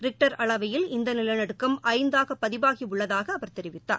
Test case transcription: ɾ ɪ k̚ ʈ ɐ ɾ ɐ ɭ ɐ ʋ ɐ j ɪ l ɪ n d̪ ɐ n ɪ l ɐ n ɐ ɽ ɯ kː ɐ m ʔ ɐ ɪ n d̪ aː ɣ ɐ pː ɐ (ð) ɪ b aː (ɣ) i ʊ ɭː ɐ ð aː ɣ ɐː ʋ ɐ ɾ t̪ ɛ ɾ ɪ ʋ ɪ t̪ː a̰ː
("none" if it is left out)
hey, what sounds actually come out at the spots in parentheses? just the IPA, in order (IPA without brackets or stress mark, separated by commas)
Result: ð, ɣ